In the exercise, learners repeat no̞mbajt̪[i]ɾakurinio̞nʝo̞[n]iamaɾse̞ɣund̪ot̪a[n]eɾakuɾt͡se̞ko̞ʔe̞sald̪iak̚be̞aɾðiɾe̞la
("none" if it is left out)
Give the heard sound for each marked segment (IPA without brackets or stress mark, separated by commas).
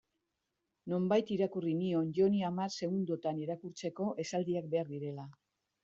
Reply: i, n, n